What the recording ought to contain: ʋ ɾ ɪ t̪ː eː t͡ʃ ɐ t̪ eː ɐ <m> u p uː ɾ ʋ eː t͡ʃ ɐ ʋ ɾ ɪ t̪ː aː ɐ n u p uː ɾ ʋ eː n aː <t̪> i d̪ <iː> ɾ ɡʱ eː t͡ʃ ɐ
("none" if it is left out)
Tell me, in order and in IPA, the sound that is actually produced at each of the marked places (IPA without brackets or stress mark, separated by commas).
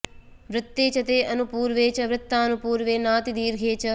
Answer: n, t̪, iː